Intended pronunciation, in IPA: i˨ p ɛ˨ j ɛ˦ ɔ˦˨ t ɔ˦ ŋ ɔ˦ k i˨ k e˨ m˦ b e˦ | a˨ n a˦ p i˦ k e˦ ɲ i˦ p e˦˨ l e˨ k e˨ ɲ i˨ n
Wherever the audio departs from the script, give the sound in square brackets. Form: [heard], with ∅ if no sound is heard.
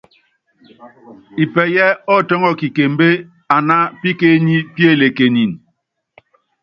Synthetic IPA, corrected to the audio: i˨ p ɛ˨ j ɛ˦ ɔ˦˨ t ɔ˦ ŋ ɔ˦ k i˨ k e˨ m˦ b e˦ | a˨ n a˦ p i˦ k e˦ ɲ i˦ p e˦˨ l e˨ k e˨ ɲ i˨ n